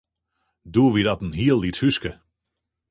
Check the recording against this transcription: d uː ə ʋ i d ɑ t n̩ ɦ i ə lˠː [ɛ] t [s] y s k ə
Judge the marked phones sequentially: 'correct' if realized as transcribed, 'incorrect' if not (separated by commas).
incorrect, incorrect